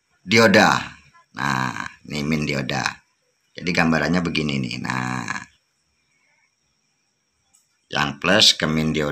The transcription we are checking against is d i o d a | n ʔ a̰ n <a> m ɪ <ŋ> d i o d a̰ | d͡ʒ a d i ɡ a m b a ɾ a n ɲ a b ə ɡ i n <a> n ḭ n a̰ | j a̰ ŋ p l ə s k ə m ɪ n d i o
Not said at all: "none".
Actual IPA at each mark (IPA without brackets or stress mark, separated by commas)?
i, n, i